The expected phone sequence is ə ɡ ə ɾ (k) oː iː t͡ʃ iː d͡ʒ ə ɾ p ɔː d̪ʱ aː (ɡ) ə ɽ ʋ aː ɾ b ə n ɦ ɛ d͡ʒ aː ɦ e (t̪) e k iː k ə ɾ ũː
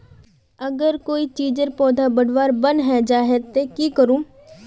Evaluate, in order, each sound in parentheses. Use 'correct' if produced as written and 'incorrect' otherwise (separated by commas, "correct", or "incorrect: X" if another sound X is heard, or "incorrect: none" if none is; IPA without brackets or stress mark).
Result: correct, incorrect: b, correct